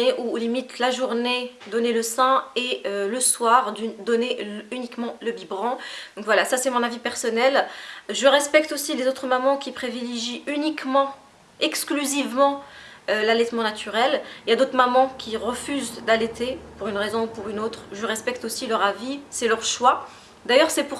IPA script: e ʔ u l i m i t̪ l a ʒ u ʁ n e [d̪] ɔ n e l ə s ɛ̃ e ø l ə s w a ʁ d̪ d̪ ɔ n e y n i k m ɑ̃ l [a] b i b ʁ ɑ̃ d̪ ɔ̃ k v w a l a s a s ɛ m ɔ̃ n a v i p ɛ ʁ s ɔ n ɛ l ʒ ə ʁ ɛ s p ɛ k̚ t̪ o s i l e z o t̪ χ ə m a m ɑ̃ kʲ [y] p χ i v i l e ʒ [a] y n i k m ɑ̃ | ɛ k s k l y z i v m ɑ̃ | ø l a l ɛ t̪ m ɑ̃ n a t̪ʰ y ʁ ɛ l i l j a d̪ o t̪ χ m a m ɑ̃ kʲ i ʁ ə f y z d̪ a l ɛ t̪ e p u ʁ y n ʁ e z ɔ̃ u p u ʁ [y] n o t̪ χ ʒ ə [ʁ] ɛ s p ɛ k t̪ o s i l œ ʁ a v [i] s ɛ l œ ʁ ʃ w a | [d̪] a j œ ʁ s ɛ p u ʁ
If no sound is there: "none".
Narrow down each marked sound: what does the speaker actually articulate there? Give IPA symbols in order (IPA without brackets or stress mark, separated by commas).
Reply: d̪, ə, i, i, y, ʁ, i, d̪